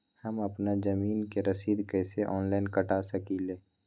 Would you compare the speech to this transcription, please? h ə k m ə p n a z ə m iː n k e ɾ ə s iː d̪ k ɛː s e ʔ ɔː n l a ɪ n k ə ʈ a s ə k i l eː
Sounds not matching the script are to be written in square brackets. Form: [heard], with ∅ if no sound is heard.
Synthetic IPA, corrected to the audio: h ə [∅] m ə p n a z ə m iː n k e ɾ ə s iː d̪ k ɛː s e ʔ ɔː n l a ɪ n k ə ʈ a s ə k i l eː